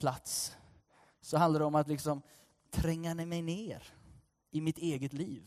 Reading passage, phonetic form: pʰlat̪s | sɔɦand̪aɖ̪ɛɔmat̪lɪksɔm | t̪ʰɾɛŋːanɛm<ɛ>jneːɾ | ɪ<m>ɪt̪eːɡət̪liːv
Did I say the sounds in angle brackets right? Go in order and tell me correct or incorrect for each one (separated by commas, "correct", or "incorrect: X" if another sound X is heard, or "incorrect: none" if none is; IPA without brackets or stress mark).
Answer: correct, correct